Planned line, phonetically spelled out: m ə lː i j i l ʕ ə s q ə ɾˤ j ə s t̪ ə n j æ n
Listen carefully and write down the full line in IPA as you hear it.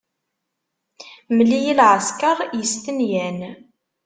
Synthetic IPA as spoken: m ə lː i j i l ʕ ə s k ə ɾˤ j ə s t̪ ə n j æ n

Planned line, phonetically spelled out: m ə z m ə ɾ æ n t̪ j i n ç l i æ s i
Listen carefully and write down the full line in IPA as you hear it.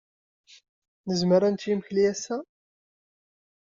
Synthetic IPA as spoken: n ə z m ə ɾ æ n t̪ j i m ç l i æ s æ

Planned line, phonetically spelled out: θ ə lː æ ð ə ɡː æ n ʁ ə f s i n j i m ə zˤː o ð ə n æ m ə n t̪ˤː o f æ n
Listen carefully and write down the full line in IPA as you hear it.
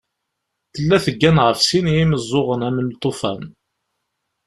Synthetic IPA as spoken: θ ə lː æ θ ə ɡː æ n ʁ ə f s i n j i m ə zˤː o ʁ ə n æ m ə n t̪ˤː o f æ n

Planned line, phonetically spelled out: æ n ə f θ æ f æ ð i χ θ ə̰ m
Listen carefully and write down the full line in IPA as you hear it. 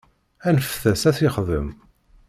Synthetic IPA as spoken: æ n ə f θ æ s æ θ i χ ð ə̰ m

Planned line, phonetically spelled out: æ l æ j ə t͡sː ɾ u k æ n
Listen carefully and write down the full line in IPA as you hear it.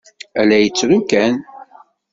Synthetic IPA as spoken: æ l æ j ə t͡sː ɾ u k æ n

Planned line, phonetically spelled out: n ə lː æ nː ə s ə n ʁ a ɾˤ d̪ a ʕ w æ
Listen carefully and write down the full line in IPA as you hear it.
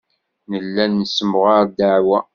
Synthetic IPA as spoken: n ə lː æ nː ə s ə m ʁ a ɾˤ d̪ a ʕ w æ

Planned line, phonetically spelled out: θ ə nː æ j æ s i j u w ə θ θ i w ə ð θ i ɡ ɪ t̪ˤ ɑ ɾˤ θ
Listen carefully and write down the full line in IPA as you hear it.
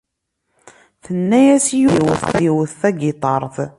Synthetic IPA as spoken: θ ə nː æ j æ s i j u w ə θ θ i w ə θ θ æ ɡ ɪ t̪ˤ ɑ ɾˤ θ

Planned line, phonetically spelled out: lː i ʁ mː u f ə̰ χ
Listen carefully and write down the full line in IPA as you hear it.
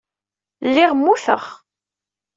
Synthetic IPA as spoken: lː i ʁ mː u θ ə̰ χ

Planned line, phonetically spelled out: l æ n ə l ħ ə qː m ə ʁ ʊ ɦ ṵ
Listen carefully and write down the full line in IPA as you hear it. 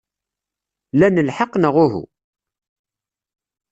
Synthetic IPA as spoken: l æ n ə l ħ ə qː n ə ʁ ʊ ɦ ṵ

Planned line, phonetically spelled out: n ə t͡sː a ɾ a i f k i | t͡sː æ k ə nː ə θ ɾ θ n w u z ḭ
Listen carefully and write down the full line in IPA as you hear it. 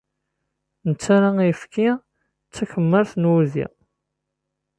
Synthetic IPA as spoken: n ə t͡sː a ɾ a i f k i | t͡sː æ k ə mː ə ɾ θ n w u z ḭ

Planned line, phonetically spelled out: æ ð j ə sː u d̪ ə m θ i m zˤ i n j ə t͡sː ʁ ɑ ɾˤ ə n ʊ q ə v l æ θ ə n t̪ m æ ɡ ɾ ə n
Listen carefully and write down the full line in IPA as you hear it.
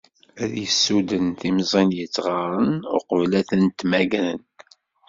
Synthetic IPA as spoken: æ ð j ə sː u d̪ ə n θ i m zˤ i n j ə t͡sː ʁ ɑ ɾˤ ə n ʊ q ə v l æ θ ə n t̪ m æ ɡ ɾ ə n

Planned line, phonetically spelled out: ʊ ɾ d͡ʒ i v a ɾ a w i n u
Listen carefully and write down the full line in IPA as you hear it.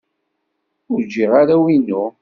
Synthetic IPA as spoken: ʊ ɾ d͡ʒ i ʁ a ɾ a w i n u

